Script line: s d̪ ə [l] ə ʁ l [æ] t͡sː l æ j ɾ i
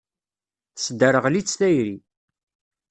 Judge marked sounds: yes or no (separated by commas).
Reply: no, no